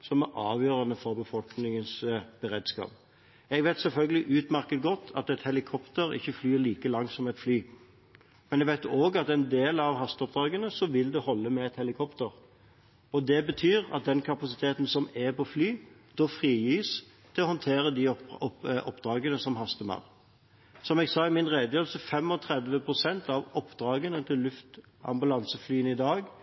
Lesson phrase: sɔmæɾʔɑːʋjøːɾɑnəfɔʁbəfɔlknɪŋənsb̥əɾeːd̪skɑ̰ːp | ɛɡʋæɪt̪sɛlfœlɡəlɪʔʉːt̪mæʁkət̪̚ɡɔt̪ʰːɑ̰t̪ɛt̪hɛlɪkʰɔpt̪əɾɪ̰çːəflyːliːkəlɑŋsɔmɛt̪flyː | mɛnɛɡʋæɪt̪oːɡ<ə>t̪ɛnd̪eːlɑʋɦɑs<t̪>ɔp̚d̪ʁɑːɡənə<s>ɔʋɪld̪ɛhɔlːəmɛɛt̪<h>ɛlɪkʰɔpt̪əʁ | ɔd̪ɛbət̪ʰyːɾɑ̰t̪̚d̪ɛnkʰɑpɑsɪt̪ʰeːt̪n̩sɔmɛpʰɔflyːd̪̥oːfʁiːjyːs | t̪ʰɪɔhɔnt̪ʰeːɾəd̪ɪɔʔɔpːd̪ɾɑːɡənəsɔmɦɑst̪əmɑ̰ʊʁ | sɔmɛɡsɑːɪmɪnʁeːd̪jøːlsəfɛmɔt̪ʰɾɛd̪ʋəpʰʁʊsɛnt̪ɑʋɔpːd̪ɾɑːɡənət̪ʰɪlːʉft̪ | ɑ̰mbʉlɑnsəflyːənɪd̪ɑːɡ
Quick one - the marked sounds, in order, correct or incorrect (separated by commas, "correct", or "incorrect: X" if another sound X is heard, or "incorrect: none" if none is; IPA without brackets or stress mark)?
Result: incorrect: ɑ, correct, correct, correct